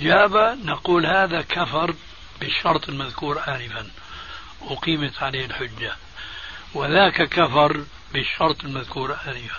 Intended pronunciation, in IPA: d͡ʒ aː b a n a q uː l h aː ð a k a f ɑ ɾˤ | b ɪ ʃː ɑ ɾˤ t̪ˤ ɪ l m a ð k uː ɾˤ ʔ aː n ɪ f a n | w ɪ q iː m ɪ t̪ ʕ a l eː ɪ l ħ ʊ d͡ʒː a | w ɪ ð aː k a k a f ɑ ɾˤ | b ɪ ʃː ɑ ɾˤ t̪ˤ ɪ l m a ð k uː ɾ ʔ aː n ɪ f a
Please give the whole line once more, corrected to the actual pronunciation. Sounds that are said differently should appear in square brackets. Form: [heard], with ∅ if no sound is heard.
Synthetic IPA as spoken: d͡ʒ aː b a n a q uː l h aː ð a k a f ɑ ɾˤ | b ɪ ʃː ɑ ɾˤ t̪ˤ ɪ l m a ð k uː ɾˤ ʔ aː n ɪ f a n | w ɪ q iː m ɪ t̪ ʕ a l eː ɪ l ħ ʊ d͡ʒː a | w ɪ ð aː k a k a f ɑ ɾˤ | b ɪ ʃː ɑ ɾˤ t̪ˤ ɪ l m a ð k uː ɾ ʔ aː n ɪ f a